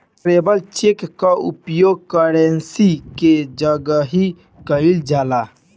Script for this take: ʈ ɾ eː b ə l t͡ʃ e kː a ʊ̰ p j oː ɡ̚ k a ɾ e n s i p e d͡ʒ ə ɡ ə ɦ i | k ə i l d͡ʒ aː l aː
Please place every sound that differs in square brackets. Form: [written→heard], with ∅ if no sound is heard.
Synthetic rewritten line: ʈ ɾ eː b ə l t͡ʃ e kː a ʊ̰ p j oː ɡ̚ k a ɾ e n s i [p→k] e d͡ʒ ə ɡ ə ɦ i | k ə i l d͡ʒ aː l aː